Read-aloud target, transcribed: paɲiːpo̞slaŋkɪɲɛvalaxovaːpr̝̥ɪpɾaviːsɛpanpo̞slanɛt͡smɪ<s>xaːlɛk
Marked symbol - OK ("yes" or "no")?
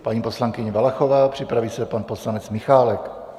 no